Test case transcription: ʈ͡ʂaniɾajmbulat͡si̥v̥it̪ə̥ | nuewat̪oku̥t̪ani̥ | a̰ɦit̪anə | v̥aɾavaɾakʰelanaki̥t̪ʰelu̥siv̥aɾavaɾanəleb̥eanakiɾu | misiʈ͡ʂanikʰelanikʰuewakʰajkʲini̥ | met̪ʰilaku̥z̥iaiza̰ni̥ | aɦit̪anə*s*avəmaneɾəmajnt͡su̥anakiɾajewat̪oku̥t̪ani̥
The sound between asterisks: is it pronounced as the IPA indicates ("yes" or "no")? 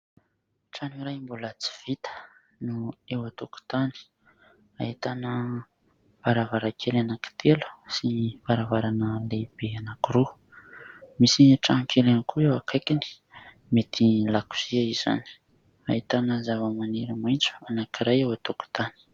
no